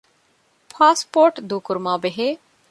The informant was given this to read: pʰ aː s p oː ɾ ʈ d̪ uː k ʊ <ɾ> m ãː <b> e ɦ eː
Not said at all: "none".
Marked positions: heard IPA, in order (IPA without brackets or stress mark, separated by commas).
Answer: ɾ, b